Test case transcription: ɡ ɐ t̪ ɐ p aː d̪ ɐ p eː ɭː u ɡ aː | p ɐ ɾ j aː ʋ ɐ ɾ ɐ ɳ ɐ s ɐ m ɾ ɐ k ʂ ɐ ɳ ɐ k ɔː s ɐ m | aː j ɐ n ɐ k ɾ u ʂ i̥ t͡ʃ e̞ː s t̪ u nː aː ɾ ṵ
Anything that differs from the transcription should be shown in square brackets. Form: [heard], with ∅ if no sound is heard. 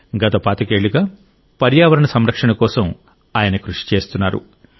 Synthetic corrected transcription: ɡ ɐ t̪ ɐ p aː [t̪] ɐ [k] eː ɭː u ɡ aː | p ɐ ɾ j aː ʋ ɐ ɾ ɐ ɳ ɐ s ɐ m ɾ ɐ k ʂ ɐ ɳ ɐ k ɔː s ɐ m | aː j ɐ n ɐ k ɾ u ʂ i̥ t͡ʃ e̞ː s t̪ u nː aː ɾ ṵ